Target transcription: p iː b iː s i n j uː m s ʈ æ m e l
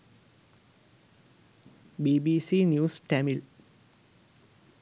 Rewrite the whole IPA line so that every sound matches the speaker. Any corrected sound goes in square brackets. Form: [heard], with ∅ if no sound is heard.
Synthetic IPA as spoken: [b] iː b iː s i n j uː [∅] s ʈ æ m [i] l